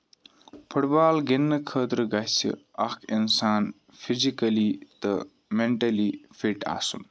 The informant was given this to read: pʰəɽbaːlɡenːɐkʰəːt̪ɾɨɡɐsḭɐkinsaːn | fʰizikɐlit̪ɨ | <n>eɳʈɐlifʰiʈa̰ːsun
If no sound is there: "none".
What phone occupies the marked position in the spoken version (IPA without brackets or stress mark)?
m